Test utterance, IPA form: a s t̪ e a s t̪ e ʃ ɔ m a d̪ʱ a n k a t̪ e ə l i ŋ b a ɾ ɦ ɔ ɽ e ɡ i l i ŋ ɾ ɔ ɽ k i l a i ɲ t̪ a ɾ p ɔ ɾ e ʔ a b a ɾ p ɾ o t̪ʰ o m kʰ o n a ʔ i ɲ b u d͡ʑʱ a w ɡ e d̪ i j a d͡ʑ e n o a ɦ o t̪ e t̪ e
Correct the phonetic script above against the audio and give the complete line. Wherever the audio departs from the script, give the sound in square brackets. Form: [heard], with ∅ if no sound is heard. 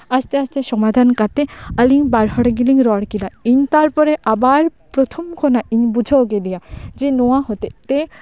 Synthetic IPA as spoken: a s t̪ e a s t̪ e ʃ ɔ m a d̪ʱ a n k a t̪ e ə l i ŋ b a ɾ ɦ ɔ ɽ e ɡ i l i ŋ ɾ ɔ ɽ k i l a i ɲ t̪ a ɾ p ɔ ɾ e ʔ a b a ɾ p ɾ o t̪ʰ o m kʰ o n a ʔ i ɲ b u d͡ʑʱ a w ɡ e d̪ i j a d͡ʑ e n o a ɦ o t̪ e t̪ e

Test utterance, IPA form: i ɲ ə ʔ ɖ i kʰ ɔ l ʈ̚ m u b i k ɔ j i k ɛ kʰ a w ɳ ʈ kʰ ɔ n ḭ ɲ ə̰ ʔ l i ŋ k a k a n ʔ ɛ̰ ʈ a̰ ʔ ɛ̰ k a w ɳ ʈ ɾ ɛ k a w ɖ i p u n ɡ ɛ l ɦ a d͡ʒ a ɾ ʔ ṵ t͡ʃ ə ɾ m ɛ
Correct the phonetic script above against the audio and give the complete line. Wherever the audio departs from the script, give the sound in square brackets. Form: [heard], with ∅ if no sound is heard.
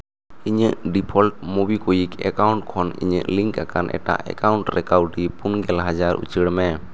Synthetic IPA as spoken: i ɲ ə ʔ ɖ i [pʰ] ɔ l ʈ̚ m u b i k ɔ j i k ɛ [k] a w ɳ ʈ kʰ ɔ n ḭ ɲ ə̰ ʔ l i ŋ k a k a n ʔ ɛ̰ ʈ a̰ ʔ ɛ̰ k a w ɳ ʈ ɾ ɛ k a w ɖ i p u n ɡ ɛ l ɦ a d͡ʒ a ɾ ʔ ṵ t͡ʃ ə [ɽ] m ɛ

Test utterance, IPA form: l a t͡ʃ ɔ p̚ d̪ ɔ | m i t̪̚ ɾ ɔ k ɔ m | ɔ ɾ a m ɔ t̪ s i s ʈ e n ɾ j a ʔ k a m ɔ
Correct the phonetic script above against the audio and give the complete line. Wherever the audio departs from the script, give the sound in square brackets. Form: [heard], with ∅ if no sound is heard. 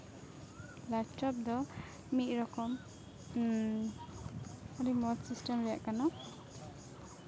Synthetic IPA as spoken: l a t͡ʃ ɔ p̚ d̪ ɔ | m i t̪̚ ɾ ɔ k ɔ m | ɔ ɾ [i] m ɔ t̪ s i s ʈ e [m] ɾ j a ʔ k a [n] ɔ

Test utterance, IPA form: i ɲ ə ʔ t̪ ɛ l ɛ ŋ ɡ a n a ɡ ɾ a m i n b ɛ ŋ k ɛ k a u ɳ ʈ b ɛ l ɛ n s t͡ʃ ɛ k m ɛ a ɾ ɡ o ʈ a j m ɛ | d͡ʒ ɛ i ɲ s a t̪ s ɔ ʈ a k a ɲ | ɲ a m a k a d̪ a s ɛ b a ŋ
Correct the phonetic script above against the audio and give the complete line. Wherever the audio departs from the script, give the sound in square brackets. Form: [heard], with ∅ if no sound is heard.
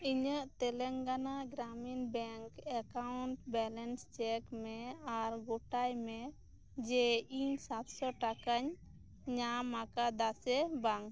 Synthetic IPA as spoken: i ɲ ə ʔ t̪ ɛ l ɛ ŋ ɡ a n a ɡ ɾ a m i n b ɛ ŋ k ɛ k a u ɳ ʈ b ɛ l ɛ n s t͡ʃ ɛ k m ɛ a ɾ ɡ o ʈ a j m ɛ | d͡ʒ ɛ i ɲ s a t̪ s ɔ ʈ a k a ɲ | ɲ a m a k a d̪ a s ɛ b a ŋ

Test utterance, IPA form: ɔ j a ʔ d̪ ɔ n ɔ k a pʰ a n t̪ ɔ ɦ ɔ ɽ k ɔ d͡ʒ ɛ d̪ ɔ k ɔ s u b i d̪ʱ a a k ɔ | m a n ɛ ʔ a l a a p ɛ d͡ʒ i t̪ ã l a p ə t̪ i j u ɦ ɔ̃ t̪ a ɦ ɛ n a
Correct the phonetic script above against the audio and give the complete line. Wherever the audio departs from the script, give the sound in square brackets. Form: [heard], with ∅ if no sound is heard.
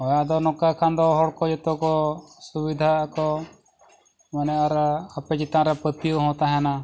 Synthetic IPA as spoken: ɔ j a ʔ d̪ ɔ n ɔ k a [kʰ] a n [d̪] ɔ ɦ ɔ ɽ k ɔ d͡ʒ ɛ [t̪] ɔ k ɔ s u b i d̪ʱ a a k ɔ | m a n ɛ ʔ a [ɾ] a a p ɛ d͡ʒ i t̪ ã [ɾ] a p ə t̪ i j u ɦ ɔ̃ t̪ a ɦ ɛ n a

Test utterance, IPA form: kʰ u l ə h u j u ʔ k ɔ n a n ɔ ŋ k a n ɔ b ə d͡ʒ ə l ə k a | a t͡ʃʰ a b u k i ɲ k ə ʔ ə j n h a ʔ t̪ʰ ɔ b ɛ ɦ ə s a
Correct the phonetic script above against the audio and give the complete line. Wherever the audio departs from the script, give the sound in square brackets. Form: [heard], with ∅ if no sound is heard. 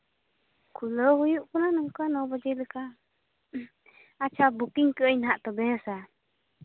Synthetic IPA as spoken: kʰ u l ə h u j u ʔ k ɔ n a n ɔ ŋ k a n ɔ b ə d͡ʒ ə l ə k a | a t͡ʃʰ a b u k i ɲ k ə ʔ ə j n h a ʔ [t̪] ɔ b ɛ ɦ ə s a

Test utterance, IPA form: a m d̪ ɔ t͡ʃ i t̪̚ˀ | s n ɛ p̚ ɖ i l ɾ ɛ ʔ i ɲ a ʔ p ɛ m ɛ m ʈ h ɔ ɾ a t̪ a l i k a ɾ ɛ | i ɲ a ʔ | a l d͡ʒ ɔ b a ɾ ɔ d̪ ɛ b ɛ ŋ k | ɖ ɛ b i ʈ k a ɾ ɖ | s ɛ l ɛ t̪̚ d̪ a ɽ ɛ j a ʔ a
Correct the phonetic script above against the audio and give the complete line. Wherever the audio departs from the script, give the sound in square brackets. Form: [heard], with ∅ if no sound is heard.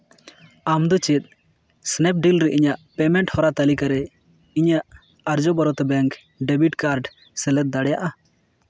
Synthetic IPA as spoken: a m d̪ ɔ t͡ʃ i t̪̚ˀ | s n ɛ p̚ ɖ i l ɾ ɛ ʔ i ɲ a ʔ p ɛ m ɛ [ɳ] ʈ h ɔ ɾ a t̪ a l i k a ɾ ɛ | i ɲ a ʔ | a [ɾ] d͡ʒ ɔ b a ɾ ɔ [t̪] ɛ b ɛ ŋ k | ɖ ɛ b i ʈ k a ɾ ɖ | s ɛ l ɛ t̪̚ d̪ a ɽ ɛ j a ʔ a

